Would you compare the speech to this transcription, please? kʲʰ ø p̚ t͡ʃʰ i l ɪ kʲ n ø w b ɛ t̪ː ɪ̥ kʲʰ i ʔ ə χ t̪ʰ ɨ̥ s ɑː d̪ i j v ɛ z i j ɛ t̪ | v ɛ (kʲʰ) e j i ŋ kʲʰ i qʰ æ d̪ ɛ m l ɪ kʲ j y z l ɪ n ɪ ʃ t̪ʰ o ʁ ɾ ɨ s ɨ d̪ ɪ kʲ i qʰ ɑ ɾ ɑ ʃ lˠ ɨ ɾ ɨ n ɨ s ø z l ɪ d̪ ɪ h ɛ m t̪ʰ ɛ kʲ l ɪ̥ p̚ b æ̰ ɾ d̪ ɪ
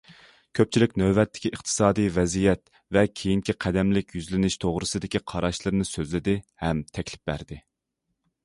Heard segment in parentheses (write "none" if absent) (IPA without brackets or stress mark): kʲʰ